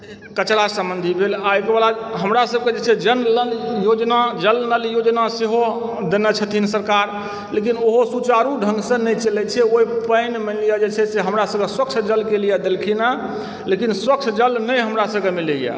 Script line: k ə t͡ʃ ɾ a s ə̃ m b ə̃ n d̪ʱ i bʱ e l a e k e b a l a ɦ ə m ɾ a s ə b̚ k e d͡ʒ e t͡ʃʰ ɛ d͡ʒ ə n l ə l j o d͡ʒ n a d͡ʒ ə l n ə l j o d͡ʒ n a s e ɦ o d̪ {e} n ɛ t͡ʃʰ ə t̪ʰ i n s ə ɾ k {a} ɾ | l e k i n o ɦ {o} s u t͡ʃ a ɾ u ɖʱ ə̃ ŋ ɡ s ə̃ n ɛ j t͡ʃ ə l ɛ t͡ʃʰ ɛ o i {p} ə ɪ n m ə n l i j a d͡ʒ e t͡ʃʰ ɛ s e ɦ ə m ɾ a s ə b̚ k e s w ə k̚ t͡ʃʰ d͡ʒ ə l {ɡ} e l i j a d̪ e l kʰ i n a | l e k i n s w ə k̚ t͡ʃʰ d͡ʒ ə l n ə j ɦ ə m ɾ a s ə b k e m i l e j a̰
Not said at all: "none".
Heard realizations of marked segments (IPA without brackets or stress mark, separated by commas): e, a, o, p, k